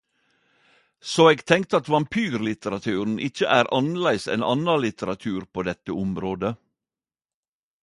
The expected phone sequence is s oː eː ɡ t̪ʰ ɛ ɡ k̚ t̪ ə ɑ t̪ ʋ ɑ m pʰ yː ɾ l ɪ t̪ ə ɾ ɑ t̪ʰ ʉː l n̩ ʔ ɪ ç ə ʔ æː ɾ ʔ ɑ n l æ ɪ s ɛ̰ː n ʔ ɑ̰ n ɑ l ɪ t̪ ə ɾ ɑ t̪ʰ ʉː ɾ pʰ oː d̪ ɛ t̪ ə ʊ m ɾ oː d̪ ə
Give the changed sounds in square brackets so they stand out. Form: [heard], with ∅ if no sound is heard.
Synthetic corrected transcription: s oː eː ɡ t̪ʰ ɛ [ŋ] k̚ t̪ ə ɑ t̪ ʋ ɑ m pʰ yː ɾ l ɪ t̪ ə ɾ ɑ t̪ʰ ʉː [ɾ] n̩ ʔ ɪ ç ə ʔ æː ɾ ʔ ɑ n l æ ɪ s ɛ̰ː n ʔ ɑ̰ n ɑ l ɪ t̪ ə ɾ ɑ t̪ʰ ʉː ɾ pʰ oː d̪ ɛ t̪ ə ʊ m ɾ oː d̪ ə